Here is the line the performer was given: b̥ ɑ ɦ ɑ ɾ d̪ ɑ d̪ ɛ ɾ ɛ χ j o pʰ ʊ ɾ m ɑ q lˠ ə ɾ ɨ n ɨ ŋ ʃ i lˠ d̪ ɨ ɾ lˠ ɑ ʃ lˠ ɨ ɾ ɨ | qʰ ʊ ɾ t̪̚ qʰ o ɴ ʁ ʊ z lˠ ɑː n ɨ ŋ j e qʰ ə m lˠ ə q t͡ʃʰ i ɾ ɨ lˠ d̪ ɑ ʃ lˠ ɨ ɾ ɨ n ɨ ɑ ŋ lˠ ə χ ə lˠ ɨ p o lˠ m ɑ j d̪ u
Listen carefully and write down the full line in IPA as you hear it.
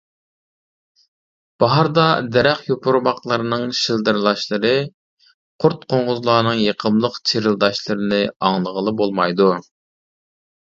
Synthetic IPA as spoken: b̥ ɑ ɦ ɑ ɾ d̪ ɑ d̪ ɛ ɾ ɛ χ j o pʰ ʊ ɾ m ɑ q lˠ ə ɾ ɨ n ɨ ŋ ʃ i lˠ d̪ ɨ ɾ lˠ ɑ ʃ lˠ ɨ ɾ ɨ | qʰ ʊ ɾ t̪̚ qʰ o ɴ ʁ ʊ z lˠ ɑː n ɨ ŋ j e qʰ ə m lˠ ə q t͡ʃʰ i ɾ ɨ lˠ d̪ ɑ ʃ lˠ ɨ ɾ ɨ n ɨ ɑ ŋ lˠ ə ʁ ə lˠ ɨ b o lˠ m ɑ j d̪ u